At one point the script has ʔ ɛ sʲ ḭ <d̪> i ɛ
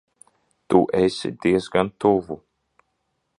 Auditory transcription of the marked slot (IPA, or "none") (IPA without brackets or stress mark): d̪